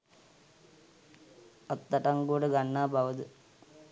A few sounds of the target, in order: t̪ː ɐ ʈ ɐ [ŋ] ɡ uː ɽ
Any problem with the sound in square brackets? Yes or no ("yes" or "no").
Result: no